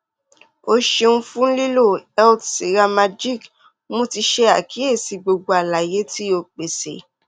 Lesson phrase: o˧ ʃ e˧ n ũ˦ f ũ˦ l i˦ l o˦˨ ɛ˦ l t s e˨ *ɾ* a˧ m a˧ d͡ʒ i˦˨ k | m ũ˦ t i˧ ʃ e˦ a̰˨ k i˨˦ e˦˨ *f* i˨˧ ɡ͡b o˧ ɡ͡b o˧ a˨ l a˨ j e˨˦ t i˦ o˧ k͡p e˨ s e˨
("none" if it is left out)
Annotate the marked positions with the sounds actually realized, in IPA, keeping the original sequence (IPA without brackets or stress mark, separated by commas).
ɾ, s